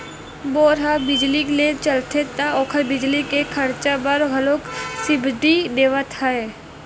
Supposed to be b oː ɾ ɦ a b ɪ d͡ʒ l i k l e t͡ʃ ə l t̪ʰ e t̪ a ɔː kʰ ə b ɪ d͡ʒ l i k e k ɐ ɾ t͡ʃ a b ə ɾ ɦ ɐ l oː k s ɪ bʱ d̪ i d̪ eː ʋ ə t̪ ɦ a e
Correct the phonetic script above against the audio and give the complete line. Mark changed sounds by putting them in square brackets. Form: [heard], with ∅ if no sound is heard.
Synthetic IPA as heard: b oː ɾ ɦ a b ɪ d͡ʒ l i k l e t͡ʃ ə l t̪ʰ e t̪ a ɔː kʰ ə b ɪ d͡ʒ l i k e [kʰ] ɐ ɾ t͡ʃ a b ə ɾ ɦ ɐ l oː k s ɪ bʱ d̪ i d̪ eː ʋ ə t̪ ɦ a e